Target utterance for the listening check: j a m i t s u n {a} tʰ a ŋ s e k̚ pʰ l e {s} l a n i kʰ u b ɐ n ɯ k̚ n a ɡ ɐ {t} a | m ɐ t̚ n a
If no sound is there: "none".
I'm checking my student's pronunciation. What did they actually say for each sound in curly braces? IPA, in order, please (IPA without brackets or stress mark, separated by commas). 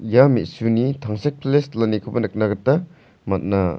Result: i, s, t